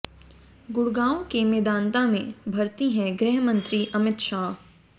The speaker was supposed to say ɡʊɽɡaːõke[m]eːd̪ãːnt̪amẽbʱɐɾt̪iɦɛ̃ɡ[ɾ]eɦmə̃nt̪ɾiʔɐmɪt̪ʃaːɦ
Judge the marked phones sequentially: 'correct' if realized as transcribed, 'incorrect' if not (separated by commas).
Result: correct, correct